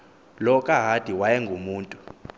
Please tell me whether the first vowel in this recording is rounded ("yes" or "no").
yes